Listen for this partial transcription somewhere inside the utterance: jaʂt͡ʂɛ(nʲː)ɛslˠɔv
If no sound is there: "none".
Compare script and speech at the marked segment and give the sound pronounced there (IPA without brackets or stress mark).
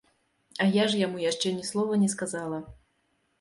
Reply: nʲ